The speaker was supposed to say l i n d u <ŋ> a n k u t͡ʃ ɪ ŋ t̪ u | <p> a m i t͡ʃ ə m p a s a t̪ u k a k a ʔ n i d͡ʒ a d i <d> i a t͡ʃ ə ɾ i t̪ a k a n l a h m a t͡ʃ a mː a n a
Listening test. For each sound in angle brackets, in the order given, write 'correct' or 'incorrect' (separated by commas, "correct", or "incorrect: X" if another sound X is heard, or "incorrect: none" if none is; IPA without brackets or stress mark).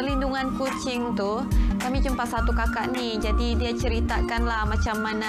correct, incorrect: k, correct